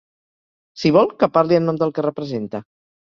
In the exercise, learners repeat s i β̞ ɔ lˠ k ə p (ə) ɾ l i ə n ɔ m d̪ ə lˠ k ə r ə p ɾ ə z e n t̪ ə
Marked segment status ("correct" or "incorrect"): incorrect